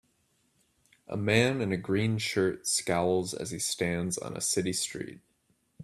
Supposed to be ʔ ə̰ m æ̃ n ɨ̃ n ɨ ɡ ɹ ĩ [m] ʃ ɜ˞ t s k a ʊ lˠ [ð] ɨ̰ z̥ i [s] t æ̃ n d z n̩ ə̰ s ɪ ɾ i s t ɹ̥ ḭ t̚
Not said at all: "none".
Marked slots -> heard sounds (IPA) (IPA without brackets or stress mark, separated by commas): n, z, s